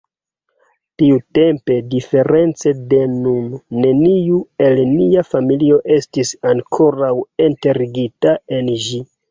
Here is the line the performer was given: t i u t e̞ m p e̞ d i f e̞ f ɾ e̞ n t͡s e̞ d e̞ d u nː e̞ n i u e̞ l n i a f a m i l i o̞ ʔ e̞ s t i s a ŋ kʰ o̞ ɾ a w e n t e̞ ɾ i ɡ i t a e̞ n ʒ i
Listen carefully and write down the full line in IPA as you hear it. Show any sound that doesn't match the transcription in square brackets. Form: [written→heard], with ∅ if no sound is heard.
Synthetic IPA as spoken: t i u t e̞ m p e̞ d i f e̞ [f→∅] ɾ e̞ n t͡s e̞ d e̞ [d→n] u nː e̞ n i u e̞ l n i a f a m i l i o̞ ʔ e̞ s t i s a ŋ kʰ o̞ ɾ a w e n t e̞ ɾ i ɡ i t a e̞ n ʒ i